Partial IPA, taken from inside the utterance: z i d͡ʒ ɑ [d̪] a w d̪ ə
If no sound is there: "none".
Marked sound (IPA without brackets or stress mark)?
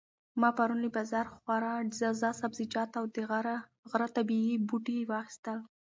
t̪